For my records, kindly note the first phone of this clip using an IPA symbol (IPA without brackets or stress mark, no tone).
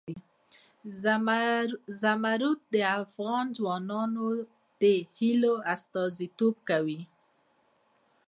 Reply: z